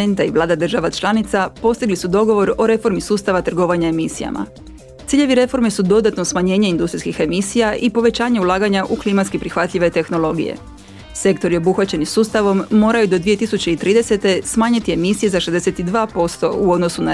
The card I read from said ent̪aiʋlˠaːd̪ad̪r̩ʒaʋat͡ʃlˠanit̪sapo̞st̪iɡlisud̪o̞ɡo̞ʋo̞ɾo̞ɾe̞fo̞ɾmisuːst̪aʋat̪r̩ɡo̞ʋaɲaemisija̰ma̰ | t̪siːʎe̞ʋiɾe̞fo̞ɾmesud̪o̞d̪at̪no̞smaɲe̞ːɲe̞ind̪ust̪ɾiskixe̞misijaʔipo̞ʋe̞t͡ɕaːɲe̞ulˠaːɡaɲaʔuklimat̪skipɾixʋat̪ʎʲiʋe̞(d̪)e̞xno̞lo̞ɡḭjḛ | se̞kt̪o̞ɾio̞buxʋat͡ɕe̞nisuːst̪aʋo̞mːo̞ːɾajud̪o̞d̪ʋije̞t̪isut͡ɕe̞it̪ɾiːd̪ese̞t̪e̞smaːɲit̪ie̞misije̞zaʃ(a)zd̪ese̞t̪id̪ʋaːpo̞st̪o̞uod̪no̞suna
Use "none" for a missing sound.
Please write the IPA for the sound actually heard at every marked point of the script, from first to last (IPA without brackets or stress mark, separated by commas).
t̪, e